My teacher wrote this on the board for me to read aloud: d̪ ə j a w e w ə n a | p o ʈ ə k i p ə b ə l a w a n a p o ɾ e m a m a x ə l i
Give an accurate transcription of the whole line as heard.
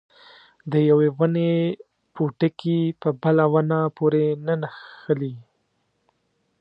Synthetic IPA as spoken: d̪ ə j a w e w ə n e | p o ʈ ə k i p ə b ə l a w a n a p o ɾ e n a n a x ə l i